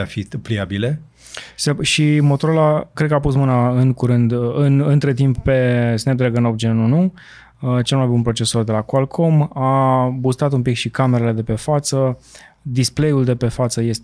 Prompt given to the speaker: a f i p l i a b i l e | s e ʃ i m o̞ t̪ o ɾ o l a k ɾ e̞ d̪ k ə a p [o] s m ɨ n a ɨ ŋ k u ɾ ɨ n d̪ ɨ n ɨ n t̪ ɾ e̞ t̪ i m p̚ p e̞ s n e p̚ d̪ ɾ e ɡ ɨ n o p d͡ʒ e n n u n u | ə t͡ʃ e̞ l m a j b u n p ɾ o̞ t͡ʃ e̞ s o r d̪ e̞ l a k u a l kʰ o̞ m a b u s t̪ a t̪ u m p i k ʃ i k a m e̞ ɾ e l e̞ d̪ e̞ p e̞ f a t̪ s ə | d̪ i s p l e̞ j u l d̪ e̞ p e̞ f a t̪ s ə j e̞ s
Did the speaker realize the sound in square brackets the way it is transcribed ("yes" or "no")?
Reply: no